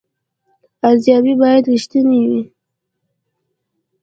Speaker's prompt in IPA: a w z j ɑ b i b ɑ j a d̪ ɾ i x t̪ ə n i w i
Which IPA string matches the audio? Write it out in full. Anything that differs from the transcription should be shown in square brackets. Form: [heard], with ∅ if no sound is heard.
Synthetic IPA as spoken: a [∅] z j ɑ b i b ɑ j a d̪ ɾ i [ʃ] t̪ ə n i w i